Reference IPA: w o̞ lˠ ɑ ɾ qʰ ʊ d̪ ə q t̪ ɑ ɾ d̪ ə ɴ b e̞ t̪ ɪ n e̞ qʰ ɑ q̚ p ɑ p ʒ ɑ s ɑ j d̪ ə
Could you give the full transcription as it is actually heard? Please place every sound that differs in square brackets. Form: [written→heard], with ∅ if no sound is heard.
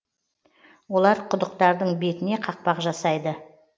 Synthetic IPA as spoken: w o̞ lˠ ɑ ɾ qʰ ʊ d̪ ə q t̪ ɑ ɾ d̪ ə ɴ b e̞ t̪ ɪ n e̞ qʰ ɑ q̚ p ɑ [p→q] ʒ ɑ s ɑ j d̪ ə